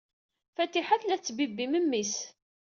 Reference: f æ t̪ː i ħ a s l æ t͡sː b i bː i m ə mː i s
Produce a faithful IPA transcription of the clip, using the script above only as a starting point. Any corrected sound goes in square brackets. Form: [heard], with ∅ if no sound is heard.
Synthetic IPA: f æ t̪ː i ħ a [θ] l æ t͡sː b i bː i m ə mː i s